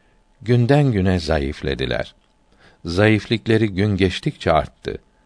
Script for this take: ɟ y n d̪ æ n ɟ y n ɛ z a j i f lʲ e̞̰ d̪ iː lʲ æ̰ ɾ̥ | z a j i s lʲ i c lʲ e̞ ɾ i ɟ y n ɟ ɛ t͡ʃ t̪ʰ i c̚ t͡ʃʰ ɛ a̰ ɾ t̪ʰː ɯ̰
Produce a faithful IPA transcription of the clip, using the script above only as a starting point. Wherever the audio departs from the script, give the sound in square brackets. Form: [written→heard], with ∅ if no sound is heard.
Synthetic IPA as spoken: ɟ y n d̪ æ n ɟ y n ɛ z a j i f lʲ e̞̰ d̪ [iː→i] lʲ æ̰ ɾ̥ | z a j i [s→f] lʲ i c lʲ e̞ ɾ i ɟ y n ɟ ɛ t͡ʃ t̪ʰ i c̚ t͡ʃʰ ɛ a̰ ɾ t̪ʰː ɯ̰